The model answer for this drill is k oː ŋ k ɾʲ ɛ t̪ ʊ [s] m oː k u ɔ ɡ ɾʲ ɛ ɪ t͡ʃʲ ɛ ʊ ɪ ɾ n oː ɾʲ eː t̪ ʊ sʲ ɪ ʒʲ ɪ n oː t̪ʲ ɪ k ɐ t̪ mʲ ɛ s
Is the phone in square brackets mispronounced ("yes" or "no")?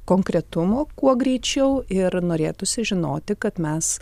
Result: yes